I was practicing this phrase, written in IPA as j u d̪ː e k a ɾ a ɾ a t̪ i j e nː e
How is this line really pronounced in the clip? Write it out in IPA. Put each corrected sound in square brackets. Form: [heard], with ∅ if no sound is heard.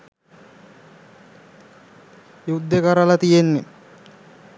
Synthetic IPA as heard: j u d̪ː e k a ɾ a [l] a t̪ i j e nː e